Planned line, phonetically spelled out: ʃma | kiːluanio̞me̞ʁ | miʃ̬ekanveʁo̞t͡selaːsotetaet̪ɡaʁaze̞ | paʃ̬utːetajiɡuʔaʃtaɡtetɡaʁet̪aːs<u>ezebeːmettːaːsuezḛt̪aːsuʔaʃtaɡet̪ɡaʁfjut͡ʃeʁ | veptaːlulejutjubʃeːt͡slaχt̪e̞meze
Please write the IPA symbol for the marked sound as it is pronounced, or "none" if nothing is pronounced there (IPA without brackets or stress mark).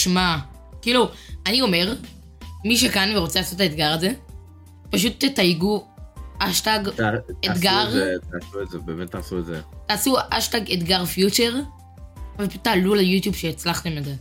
u